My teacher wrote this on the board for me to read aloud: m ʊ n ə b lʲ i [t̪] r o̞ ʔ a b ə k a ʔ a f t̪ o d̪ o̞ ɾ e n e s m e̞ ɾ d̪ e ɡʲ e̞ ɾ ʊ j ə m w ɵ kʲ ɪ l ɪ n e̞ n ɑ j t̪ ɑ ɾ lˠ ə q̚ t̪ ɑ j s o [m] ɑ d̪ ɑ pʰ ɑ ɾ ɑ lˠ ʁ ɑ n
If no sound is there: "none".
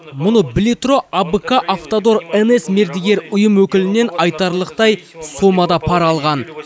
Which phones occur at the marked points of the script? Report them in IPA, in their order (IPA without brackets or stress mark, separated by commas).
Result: t̪, m